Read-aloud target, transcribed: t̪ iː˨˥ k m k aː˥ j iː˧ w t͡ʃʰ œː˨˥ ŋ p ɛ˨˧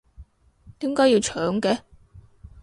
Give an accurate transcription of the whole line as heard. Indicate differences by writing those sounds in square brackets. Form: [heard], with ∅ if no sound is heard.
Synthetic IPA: t̪ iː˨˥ [∅] m k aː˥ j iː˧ w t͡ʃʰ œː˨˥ ŋ [k] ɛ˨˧